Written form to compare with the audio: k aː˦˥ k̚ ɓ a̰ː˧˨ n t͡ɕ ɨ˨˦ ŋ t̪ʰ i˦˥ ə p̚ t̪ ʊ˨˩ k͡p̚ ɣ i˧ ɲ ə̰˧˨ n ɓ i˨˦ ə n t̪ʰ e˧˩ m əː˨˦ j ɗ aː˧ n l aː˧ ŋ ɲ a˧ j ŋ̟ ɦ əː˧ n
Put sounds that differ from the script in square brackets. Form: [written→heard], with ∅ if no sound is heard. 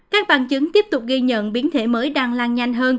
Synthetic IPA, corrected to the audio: k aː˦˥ k̚ ɓ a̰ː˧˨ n t͡ɕ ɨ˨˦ ŋ [t̪ʰ→t̪] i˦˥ ə p̚ t̪ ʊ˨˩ k͡p̚ ɣ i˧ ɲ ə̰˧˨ n ɓ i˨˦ ə n t̪ʰ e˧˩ m əː˨˦ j ɗ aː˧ [n→ŋ] l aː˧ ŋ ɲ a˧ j ŋ̟ ɦ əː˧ n